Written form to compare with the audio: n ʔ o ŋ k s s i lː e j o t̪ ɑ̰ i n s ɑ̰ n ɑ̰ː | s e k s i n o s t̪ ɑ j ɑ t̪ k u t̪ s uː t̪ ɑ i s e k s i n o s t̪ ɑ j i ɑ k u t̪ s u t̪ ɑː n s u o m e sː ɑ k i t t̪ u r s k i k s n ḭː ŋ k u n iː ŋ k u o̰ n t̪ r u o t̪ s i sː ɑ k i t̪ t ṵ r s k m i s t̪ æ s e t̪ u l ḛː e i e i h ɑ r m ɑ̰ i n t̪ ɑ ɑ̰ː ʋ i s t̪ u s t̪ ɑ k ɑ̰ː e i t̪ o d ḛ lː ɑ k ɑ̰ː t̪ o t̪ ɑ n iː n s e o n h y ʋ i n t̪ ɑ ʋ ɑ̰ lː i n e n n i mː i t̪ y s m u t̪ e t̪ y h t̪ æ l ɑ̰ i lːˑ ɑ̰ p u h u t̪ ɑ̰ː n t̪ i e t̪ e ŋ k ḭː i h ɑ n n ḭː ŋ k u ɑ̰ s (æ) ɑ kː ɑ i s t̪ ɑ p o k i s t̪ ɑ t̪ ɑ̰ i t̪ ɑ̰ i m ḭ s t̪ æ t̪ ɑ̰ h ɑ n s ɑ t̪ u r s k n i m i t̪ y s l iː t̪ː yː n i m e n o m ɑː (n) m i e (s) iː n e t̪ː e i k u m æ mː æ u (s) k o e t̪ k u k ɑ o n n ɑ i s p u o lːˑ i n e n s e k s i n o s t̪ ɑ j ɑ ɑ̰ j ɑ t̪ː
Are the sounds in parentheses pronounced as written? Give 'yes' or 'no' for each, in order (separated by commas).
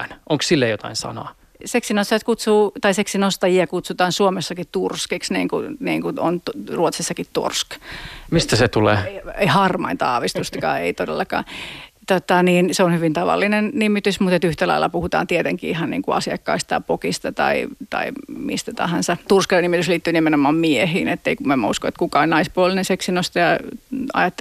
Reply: no, no, no, yes